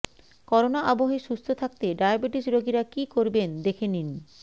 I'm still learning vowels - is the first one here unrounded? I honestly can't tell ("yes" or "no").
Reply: no